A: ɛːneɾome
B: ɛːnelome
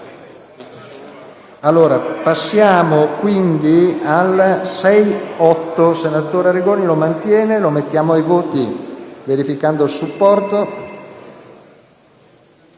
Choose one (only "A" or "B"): B